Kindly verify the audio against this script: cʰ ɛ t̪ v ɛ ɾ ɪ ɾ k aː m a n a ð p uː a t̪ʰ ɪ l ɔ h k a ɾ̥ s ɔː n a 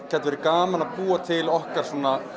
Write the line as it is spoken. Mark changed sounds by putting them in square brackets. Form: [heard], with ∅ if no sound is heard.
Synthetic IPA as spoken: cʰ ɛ t̪ v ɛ ɾ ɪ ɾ k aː m a n a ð p uː a t̪ʰ ɪ l ɔ h k a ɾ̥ s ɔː n a